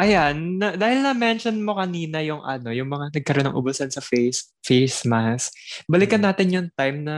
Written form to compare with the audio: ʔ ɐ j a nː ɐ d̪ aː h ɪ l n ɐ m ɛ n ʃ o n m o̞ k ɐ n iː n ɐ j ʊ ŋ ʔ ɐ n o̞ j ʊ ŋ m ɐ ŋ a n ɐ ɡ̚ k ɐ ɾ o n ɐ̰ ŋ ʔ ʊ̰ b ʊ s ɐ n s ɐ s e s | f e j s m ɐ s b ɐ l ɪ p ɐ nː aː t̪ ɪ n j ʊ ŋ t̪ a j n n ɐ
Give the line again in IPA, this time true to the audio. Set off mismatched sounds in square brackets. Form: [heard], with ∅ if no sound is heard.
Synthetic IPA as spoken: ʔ ɐ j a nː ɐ d̪ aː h ɪ l n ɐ m ɛ n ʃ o n m o̞ k ɐ n iː n ɐ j ʊ ŋ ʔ ɐ n o̞ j ʊ ŋ m ɐ ŋ a n ɐ ɡ̚ k ɐ ɾ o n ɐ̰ ŋ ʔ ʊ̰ b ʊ s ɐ n s ɐ [f] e s | f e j s m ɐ s b ɐ l ɪ [k] ɐ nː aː t̪ ɪ n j ʊ ŋ t̪ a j [m] n ɐ